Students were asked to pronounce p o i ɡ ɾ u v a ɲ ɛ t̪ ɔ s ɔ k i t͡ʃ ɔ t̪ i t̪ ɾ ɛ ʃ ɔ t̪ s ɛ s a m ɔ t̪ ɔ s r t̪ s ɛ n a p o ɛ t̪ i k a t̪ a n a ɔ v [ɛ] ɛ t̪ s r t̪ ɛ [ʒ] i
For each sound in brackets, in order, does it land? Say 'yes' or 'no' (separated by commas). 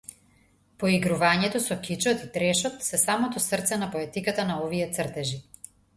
no, yes